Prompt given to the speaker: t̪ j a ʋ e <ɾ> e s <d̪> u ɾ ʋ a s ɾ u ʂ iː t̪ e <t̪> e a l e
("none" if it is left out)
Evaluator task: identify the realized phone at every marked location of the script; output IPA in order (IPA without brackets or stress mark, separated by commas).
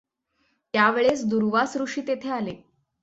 ɭ, d̪, t̪ʰ